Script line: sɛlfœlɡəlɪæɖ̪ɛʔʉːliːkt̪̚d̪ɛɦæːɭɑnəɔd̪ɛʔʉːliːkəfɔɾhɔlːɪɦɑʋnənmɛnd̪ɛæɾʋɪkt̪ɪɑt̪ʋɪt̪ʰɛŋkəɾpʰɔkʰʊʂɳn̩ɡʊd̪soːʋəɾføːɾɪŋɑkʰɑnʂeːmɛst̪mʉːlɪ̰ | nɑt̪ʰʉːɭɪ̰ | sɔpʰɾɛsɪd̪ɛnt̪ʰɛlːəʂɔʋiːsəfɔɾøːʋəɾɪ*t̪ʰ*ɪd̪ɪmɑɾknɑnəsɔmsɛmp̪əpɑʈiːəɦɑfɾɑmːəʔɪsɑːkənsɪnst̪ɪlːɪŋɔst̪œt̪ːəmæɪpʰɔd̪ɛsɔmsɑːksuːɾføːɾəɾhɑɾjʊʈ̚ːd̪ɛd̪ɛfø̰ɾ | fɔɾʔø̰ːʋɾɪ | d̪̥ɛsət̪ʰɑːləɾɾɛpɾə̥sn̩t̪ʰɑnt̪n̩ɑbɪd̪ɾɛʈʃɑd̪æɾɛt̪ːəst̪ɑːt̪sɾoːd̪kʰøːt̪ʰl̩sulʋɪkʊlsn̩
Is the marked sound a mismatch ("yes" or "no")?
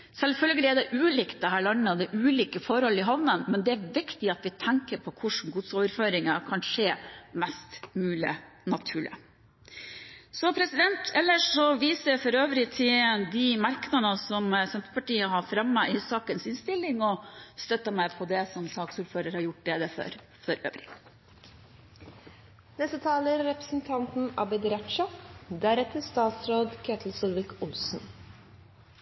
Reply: no